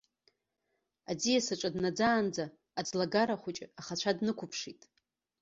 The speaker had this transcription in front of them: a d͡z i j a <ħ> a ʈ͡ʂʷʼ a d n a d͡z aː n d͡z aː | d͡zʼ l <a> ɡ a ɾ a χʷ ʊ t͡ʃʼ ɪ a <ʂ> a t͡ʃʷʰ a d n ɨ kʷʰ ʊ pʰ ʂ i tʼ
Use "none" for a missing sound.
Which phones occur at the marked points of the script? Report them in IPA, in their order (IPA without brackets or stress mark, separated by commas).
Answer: s, a, χ